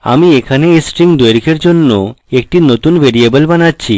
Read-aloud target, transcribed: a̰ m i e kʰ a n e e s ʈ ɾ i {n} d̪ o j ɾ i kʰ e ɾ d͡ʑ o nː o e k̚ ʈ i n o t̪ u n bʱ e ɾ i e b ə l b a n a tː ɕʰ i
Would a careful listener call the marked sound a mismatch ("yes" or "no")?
yes